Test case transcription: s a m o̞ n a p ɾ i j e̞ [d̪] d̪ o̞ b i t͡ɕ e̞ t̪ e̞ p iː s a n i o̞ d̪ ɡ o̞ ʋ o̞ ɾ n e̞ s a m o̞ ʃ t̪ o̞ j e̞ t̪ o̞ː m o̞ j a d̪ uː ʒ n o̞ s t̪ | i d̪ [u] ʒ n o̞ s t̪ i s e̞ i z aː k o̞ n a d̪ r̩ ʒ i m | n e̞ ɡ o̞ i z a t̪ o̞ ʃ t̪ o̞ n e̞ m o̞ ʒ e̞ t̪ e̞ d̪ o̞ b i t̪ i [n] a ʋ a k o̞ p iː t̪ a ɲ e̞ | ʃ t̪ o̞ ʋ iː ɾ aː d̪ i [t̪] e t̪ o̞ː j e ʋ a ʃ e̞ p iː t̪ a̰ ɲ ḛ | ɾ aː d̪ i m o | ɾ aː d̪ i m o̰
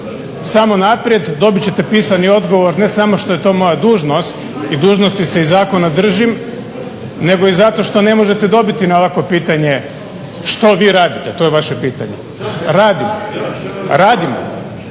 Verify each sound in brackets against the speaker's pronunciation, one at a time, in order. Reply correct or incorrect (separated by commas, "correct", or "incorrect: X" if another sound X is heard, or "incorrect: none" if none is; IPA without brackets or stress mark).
correct, incorrect: uː, correct, correct